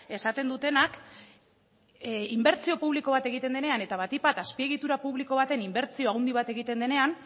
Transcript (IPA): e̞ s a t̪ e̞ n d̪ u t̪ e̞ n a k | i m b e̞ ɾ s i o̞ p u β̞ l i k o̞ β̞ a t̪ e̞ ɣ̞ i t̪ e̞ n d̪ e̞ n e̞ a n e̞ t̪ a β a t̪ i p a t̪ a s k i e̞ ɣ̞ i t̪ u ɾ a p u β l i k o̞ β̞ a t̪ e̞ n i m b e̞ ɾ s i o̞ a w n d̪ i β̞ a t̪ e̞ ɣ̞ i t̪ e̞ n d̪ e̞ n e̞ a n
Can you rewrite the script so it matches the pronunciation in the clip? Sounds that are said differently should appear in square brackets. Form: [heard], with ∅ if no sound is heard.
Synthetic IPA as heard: e̞ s a t̪ e̞ n d̪ u t̪ e̞ n a k | i m b e̞ ɾ [t͡s] i o̞ p u β̞ l i k o̞ β̞ a t̪ e̞ ɣ̞ i t̪ e̞ n d̪ e̞ n e̞ a n e̞ t̪ a β a t̪ i p a t̪ a s [p] i e̞ ɣ̞ i t̪ u ɾ a p u β l i k o̞ β̞ a t̪ e̞ n i m b e̞ ɾ [t͡s] i o̞ a w n d̪ i β̞ a t̪ e̞ ɣ̞ i t̪ e̞ n d̪ e̞ n e̞ a n